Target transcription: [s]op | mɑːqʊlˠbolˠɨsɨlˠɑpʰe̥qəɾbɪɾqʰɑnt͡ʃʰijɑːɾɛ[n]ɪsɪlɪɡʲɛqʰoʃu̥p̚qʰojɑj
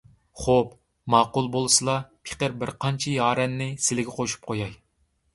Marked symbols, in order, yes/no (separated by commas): no, no